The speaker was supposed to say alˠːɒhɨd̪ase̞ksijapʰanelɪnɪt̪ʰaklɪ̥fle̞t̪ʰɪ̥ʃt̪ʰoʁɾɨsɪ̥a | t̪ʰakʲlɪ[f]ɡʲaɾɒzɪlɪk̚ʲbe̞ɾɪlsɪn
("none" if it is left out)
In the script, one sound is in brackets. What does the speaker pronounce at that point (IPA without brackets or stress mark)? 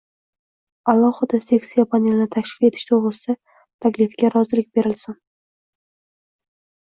f